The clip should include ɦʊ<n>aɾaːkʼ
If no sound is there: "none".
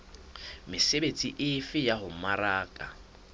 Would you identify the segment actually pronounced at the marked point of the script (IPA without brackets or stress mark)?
m